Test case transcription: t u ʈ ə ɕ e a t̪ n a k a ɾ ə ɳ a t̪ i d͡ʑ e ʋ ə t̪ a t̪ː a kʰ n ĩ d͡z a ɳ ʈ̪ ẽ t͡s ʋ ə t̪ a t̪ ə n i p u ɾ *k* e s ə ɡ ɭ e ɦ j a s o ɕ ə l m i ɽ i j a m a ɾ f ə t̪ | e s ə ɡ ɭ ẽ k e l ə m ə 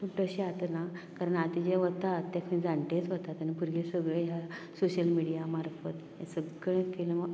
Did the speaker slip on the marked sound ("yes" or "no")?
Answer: yes